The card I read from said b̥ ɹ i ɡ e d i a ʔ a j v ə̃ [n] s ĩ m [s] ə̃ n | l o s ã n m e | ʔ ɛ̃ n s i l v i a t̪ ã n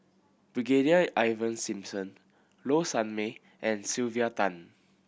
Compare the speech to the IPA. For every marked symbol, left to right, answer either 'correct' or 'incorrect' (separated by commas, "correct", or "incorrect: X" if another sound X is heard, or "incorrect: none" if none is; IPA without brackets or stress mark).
correct, correct